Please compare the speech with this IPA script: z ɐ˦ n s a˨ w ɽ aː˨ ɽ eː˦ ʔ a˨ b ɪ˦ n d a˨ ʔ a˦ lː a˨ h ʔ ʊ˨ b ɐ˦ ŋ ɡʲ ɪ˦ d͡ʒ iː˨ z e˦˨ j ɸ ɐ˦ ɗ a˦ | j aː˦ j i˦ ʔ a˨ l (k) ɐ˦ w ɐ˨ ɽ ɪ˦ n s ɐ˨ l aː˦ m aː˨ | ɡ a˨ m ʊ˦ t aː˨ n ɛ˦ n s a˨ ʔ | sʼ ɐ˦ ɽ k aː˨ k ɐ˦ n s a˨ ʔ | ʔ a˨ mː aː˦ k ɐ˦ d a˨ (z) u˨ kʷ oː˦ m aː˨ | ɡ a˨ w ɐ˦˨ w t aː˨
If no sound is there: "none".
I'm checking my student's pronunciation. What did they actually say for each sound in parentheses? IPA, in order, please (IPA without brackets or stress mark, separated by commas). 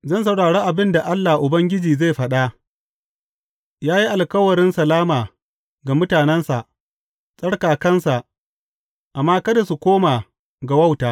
k, s